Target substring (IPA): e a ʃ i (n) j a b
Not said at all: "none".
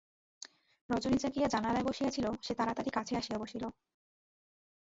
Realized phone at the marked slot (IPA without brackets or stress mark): none